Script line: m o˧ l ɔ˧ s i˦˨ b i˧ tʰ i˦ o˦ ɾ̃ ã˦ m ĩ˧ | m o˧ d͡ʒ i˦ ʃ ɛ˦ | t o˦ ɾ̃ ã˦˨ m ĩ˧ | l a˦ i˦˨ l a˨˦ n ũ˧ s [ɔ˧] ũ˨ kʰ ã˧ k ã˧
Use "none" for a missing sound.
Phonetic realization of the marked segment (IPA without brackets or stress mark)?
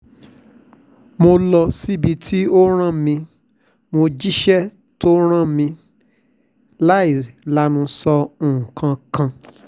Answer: ɔ˧